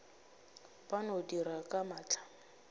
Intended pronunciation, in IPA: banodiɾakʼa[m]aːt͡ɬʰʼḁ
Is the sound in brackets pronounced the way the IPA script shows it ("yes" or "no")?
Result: yes